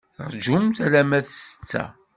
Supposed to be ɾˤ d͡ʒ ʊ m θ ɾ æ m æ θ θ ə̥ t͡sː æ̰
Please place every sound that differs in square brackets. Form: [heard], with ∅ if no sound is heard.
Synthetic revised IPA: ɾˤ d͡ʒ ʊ m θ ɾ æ m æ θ [s] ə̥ t͡sː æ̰